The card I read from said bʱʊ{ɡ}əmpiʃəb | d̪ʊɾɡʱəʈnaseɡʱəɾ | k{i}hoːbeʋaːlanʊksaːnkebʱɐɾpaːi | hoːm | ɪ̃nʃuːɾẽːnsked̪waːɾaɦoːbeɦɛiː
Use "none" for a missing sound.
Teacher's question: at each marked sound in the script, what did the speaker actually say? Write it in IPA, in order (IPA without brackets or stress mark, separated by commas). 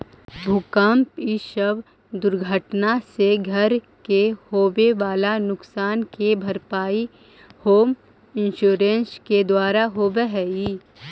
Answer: k, e